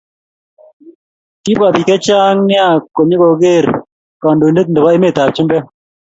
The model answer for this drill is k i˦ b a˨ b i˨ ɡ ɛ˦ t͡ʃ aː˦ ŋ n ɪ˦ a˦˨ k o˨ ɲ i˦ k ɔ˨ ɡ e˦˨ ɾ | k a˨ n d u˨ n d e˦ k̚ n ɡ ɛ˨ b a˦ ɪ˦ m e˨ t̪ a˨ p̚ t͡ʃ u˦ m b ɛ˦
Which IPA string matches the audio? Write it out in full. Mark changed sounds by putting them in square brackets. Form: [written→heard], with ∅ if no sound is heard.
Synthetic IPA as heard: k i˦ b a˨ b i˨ [ɡ→k] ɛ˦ t͡ʃ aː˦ ŋ n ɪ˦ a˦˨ k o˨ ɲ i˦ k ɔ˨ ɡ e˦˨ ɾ | k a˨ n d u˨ n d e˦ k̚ n [ɡ→d] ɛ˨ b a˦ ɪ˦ m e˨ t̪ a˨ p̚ t͡ʃ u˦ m b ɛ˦